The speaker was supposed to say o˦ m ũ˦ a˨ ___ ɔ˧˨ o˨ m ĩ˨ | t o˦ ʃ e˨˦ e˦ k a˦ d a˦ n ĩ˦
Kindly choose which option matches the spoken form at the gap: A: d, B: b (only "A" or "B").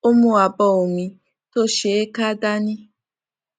B